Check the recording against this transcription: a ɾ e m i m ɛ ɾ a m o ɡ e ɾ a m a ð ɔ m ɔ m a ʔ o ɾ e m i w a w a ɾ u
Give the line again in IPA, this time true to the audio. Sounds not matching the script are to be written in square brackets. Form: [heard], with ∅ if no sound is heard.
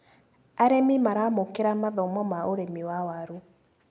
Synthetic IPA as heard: a ɾ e m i m [a] ɾ a m o [k] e ɾ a m a ð ɔ m ɔ m a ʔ o ɾ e m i w a w a ɾ u